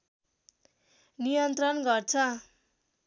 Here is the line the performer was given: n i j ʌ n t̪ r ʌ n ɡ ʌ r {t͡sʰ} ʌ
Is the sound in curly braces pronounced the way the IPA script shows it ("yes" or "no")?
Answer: yes